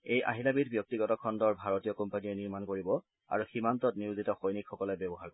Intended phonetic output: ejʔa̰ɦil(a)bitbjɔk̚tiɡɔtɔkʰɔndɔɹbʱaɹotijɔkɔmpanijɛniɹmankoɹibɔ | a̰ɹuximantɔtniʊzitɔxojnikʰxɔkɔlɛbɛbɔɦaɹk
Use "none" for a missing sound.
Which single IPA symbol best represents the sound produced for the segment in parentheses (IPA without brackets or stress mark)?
a